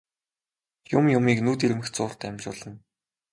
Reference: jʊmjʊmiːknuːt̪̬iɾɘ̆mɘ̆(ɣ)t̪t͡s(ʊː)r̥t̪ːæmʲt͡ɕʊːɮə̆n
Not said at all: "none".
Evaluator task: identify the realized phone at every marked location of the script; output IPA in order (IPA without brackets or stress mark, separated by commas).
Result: x, ʊː